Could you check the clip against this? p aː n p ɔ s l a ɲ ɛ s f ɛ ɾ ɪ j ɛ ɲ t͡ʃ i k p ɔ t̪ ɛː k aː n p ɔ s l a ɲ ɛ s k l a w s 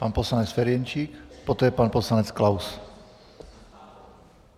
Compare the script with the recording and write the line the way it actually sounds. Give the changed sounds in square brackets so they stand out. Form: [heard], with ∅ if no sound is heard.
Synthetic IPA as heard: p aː n p ɔ s l a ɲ ɛ [t͡s] f ɛ ɾ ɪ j ɛ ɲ t͡ʃ i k p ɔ t̪ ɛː [p] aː n p ɔ s l a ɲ ɛ [t͡s] k l a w s